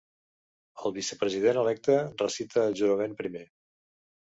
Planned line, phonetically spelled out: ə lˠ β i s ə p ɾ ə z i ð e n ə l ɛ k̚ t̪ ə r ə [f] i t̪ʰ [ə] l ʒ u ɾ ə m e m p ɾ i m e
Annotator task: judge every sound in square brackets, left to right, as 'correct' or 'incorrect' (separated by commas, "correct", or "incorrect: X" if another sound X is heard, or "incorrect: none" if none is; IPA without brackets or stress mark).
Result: incorrect: s, incorrect: əː